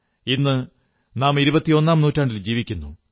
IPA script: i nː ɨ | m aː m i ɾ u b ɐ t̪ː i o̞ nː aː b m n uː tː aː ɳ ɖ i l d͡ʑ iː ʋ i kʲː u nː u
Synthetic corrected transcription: i nː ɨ | n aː m i ɾ u b ɐ t̪ː i o̞ nː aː m n uː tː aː ɳ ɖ i l d͡ʑ iː ʋ i kʲː u nː u

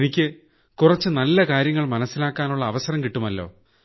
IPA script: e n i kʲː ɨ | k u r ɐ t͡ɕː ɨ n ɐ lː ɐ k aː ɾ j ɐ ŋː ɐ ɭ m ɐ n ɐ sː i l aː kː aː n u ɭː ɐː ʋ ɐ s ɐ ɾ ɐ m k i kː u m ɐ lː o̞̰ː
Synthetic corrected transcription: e n i kʲː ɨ | k u r ɐ t͡ɕː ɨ n ɐ lː ɐ k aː ɾ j ɐ ŋː ɐ ɭ m ɐ n ɐ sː i l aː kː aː n u ɭː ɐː ʋ ɐ s ɐ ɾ ɐ m k i ʈː u m ɐ lː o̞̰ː

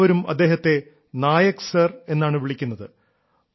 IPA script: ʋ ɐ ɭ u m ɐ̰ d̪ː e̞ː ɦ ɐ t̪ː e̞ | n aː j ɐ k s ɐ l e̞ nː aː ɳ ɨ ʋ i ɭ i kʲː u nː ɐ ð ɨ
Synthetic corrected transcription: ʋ ɐ ɾ u m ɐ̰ d̪ː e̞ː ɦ ɐ t̪ː e̞ | n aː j ɐ k s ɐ r e̞ nː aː ɳ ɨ ʋ i ɭ i kʲː u nː ɐ ð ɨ

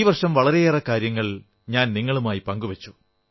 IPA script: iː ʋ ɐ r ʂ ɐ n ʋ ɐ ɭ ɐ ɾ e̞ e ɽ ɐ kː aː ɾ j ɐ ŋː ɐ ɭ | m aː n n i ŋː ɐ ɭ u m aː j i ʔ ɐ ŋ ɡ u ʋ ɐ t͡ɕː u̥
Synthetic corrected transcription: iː ʋ ɐ r ʂ ɐ m ʋ ɐ ɭ ɐ ɾ e̞ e r ɐ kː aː ɾ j ɐ ŋː ɐ ɭ | ɲ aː n n i ŋː ɐ ɭ u m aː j i p ɐ ŋ ɡ u ʋ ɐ t͡ɕː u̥

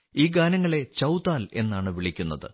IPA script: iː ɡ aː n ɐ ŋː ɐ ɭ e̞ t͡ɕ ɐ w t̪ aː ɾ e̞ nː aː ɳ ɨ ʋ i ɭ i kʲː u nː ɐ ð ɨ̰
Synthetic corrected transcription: iː ɡ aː n ɐ ŋː ɐ ɭ e̞ t͡ɕ ɐ w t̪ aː l e̞ nː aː ɳ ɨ ʋ i ɭ i kʲː u nː ɐ ð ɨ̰

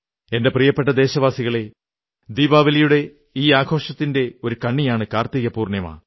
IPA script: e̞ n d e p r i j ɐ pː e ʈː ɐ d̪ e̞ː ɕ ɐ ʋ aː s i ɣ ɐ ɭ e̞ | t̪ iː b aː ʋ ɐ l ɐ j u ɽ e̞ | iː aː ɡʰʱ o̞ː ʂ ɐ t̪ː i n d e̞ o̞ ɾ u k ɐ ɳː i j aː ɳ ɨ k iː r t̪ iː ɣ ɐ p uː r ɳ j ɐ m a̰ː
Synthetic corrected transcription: e̞ n d e p r i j ɐ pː e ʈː ɐ d̪ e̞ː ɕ ɐ ʋ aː s i ɣ ɐ ɭ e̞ | d̪ iː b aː ʋ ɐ l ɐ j u ɽ e̞ | iː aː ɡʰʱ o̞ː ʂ ɐ t̪ː i n d e̞ o̞ ɾ u k ɐ ɳː i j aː ɳ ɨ k aː r t̪ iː ɣ ɐ p uː r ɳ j ɐ m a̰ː

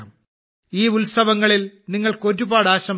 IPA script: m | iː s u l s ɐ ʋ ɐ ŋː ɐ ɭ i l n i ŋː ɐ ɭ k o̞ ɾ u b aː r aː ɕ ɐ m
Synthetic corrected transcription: m | iː u l s ɐ ʋ ɐ ŋː ɐ ɭ i l n i ŋː ɐ ɭ k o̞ ɾ u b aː ɽ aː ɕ ɐ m

